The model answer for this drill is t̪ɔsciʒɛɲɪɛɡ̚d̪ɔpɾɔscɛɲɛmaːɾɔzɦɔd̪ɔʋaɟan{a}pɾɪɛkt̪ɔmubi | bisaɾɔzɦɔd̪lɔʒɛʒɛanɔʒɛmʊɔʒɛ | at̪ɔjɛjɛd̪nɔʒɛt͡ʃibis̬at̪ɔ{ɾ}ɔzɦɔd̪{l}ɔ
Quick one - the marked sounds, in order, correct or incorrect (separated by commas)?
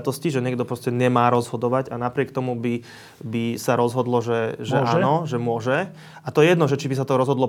correct, correct, correct